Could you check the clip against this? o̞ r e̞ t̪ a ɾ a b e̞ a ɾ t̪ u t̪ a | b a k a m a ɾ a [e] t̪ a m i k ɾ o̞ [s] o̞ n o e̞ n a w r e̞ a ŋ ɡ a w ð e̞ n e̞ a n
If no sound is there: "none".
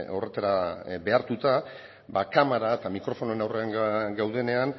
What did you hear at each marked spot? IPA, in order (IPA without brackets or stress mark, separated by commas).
e, f